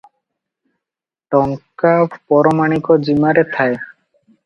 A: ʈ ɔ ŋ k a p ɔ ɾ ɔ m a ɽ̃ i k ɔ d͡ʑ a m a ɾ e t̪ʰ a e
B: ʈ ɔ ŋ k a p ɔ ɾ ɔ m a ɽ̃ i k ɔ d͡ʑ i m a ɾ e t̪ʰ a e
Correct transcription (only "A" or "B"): B